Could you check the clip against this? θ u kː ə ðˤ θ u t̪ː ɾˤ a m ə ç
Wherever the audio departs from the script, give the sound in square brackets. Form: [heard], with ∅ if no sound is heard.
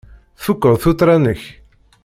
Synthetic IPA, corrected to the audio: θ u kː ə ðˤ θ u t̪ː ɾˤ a [n] ə ç